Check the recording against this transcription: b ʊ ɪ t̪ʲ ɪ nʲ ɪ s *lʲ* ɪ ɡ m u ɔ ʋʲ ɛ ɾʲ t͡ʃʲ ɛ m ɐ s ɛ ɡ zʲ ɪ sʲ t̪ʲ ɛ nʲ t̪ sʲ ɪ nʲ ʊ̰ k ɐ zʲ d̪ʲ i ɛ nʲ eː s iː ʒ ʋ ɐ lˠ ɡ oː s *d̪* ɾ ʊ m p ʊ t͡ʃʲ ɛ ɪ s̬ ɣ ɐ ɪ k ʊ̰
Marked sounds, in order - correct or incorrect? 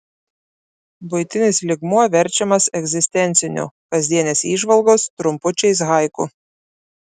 correct, incorrect: t̪

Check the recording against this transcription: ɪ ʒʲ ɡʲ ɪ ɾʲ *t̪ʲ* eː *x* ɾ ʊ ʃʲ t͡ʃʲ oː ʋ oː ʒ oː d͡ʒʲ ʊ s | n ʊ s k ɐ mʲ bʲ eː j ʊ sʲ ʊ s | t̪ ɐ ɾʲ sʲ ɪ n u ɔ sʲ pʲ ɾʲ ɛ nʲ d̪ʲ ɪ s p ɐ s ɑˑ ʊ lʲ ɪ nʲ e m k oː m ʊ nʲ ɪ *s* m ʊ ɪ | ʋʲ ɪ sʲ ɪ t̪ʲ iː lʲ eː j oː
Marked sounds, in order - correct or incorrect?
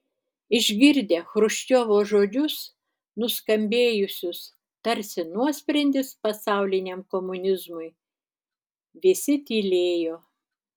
incorrect: d̪ʲ, correct, incorrect: z

